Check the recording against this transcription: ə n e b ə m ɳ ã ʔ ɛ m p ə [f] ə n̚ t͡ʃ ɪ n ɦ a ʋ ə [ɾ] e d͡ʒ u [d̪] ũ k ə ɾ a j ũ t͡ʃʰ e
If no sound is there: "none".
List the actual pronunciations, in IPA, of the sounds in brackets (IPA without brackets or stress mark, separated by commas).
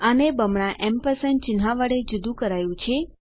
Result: s, ɽ, d̪